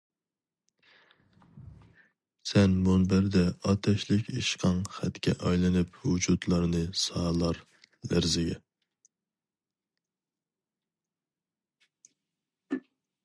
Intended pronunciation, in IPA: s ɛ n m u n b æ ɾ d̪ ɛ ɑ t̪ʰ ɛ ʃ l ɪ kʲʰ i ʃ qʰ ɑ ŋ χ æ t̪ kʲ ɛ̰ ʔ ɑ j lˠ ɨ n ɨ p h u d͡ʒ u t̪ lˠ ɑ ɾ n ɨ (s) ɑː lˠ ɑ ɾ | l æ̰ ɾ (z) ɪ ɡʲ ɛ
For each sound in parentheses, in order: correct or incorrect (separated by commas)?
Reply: correct, correct